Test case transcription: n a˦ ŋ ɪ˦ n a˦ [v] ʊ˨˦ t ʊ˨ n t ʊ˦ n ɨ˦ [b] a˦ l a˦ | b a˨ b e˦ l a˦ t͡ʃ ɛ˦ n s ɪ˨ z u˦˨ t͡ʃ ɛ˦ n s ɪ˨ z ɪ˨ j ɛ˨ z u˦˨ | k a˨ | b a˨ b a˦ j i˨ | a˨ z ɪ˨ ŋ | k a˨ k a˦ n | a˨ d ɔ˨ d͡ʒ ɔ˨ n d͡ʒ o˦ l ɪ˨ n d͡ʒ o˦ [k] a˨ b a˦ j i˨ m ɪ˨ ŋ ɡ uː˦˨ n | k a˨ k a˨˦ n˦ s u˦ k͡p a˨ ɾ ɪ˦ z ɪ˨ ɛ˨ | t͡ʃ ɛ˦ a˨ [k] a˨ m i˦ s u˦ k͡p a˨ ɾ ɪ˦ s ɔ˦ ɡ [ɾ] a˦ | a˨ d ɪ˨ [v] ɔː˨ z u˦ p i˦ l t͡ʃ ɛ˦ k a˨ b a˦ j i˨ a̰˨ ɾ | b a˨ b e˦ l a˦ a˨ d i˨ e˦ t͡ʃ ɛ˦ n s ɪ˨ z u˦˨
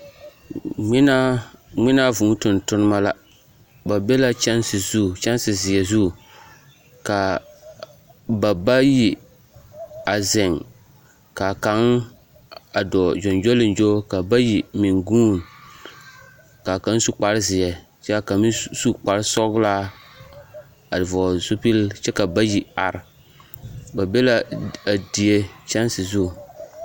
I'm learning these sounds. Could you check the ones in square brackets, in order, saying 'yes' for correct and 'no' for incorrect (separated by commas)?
yes, no, yes, yes, no, yes